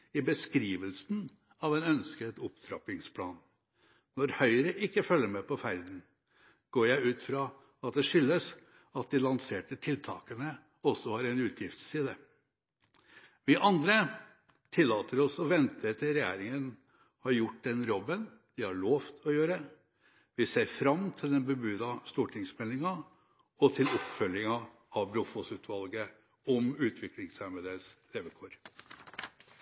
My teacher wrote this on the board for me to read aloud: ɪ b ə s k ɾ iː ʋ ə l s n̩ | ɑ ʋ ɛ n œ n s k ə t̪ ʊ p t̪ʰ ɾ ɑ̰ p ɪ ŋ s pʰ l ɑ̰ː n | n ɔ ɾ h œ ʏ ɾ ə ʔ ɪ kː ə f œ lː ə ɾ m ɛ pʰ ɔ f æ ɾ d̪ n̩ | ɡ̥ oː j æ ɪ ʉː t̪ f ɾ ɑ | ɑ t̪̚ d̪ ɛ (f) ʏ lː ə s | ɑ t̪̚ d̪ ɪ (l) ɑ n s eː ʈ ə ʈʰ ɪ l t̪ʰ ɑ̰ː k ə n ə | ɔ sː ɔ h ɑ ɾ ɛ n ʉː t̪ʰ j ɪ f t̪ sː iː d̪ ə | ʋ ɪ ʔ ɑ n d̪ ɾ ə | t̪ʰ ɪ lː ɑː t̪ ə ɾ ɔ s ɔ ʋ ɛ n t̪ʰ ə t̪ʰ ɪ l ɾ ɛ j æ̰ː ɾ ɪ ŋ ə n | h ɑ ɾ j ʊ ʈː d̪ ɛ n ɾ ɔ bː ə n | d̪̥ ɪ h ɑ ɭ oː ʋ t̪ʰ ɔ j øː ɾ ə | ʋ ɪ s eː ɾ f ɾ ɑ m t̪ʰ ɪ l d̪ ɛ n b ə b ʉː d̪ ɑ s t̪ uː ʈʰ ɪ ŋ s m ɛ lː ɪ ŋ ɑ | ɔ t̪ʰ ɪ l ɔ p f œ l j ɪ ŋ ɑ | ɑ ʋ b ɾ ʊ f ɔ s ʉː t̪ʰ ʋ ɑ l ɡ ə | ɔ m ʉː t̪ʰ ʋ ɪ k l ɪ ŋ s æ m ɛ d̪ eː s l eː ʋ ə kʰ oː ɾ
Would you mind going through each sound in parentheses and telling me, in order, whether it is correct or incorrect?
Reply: incorrect: ʂ, correct

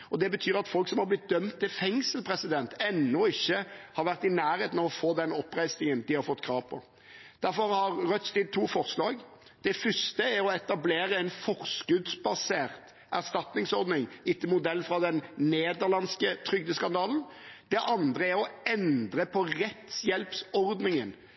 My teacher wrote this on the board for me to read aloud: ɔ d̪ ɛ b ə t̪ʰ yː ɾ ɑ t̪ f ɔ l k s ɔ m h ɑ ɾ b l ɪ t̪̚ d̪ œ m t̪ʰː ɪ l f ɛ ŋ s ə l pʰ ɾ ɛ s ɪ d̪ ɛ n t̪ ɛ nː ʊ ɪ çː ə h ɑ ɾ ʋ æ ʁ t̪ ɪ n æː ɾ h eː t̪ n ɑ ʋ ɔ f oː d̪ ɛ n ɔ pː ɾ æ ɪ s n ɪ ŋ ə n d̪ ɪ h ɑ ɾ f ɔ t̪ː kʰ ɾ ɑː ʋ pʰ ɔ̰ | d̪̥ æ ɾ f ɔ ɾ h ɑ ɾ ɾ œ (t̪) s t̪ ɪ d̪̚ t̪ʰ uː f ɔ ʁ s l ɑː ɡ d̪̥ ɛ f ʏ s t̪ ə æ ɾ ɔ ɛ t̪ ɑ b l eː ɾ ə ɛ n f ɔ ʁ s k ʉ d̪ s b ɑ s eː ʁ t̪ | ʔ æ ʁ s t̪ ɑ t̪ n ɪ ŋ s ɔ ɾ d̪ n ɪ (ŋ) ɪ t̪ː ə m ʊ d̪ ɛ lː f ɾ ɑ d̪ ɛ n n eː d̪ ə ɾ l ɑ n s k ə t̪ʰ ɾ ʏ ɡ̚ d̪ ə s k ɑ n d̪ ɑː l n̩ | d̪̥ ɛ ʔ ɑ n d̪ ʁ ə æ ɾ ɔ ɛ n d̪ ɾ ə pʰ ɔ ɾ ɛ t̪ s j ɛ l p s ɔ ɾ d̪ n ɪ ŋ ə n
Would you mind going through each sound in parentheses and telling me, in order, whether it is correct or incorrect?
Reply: correct, correct

